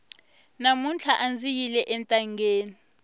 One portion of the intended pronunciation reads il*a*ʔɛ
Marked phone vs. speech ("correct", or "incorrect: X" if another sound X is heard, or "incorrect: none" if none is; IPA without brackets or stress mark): incorrect: ɛ